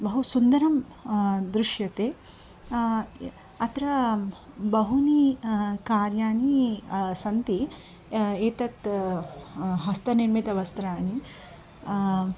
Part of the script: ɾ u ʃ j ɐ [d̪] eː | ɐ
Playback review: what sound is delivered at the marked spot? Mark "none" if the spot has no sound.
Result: t̪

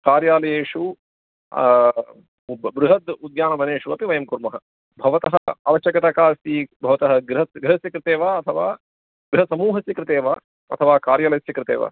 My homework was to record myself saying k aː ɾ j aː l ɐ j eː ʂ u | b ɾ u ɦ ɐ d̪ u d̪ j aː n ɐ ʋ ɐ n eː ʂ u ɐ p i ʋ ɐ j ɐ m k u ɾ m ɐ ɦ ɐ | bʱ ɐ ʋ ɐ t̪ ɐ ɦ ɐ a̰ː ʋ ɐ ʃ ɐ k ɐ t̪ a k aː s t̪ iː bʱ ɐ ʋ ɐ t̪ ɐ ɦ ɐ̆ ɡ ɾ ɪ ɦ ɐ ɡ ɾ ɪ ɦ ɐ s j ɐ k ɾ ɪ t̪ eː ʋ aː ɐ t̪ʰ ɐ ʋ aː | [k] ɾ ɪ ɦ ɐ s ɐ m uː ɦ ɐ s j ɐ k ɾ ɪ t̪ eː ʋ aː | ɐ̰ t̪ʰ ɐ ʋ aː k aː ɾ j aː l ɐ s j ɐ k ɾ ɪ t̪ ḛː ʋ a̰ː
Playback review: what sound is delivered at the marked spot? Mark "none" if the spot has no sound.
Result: ɡ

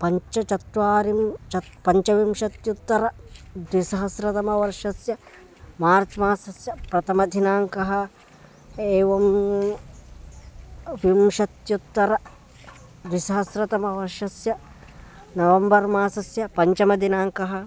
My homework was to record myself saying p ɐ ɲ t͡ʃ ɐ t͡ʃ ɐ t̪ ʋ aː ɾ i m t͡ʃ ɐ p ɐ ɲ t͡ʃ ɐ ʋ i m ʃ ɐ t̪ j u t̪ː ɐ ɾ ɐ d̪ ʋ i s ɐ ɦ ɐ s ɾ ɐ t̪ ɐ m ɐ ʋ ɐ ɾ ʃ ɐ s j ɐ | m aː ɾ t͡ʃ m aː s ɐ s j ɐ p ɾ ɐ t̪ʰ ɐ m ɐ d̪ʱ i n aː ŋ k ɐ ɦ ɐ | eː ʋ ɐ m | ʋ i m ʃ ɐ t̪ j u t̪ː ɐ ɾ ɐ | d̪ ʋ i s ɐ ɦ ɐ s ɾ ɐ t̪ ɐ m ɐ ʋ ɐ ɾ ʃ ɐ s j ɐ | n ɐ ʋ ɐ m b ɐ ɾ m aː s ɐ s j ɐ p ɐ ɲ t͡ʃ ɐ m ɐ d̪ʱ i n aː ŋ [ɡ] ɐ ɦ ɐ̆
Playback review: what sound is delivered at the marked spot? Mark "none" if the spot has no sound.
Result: k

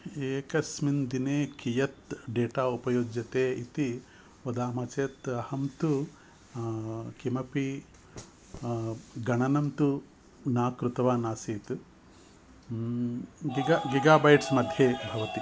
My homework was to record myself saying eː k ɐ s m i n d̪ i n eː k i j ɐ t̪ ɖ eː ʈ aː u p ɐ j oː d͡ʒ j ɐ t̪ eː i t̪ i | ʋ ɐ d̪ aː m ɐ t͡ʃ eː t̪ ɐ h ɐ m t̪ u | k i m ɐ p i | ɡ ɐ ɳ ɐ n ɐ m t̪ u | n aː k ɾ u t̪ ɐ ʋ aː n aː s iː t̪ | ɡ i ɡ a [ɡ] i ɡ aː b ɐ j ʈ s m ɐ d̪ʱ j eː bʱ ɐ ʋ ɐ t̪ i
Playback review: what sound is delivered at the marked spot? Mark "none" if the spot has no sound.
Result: ɡ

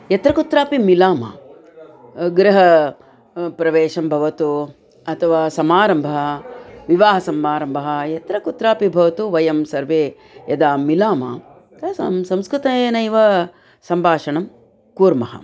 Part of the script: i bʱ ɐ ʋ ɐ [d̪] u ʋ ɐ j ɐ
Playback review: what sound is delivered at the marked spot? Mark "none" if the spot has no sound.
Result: t̪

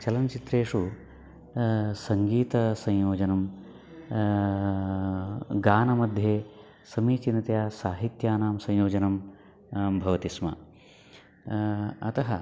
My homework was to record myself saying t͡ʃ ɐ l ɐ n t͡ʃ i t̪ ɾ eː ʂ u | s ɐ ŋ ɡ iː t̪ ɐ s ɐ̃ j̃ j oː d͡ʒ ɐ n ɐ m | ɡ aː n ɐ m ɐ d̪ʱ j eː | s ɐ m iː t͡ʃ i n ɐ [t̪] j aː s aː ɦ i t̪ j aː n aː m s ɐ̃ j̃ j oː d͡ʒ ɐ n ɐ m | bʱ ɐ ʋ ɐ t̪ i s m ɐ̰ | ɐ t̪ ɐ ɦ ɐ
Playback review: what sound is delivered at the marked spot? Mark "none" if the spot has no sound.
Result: t̪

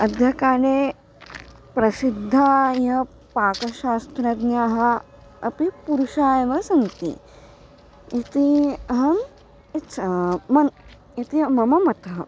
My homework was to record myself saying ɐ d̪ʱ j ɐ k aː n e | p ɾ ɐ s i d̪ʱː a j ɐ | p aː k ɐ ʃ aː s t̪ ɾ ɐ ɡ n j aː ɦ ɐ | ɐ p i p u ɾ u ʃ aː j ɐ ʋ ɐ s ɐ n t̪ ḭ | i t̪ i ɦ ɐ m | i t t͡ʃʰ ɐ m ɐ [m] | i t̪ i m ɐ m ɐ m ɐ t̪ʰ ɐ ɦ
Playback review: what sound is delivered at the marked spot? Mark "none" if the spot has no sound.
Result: n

